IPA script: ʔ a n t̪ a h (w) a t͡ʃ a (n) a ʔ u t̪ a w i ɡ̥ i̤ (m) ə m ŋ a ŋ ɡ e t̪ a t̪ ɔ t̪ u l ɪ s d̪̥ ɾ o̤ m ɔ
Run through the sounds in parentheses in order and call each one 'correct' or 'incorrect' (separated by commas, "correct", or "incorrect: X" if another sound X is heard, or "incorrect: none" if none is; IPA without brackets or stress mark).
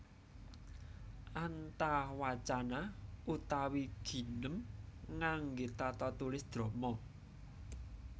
correct, correct, incorrect: n